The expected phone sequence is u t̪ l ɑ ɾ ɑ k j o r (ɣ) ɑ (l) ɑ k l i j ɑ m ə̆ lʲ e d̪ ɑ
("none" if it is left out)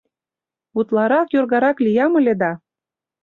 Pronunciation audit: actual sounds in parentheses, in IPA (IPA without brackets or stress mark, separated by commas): ɣ, ɾ